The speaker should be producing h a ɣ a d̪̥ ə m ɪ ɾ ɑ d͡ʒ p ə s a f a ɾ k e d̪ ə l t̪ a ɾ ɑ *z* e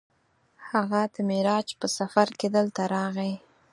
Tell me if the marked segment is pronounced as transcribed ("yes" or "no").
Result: no